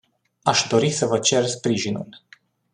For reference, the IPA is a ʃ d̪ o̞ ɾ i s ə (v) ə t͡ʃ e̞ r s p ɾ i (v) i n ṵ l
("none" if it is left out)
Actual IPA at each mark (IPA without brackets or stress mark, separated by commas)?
v, ʒ